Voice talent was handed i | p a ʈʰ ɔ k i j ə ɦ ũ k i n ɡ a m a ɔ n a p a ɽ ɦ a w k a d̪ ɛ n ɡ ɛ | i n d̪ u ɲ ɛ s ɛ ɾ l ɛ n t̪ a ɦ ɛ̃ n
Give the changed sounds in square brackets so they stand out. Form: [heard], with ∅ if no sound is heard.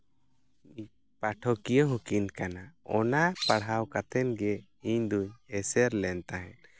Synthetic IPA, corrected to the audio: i | p a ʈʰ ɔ k i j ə ɦ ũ k i n [k] a [n] a ɔ n a p a ɽ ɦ a w k a [t̪] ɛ n ɡ ɛ | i [ɲ] d̪ u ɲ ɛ s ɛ ɾ l ɛ n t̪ a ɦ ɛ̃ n